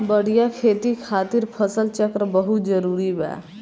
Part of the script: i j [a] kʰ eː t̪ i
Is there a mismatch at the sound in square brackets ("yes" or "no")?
no